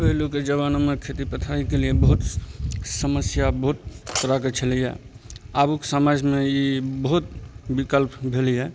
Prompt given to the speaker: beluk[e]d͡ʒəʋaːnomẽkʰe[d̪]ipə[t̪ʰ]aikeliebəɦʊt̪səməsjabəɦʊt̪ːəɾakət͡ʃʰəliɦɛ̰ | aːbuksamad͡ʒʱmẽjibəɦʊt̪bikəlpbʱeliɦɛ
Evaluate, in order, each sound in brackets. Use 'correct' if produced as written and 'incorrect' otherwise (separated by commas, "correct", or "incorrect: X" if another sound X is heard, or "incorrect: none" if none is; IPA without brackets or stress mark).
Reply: correct, incorrect: t̪, correct